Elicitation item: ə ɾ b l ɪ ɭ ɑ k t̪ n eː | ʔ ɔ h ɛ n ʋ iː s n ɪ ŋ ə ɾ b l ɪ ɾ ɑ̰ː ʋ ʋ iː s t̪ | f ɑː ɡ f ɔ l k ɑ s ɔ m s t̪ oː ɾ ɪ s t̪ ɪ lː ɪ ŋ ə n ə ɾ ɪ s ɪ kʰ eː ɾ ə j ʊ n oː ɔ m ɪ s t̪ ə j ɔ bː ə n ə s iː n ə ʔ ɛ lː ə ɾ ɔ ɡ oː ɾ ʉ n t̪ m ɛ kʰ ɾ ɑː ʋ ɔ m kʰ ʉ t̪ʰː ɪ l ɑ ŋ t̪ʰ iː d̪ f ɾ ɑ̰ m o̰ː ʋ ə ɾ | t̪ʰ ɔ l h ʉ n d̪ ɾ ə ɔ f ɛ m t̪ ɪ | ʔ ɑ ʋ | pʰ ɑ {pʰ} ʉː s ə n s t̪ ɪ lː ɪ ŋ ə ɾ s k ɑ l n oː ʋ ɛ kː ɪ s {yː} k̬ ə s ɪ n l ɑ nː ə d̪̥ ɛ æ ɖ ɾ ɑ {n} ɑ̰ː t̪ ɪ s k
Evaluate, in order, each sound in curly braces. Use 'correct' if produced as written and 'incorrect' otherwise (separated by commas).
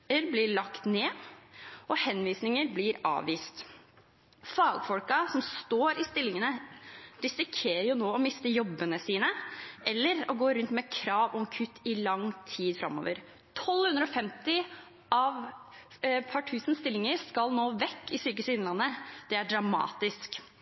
incorrect, correct, incorrect